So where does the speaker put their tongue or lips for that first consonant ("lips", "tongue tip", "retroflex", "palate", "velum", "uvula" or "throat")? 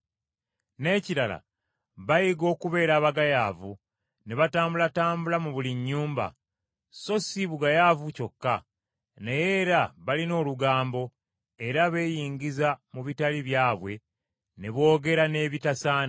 tongue tip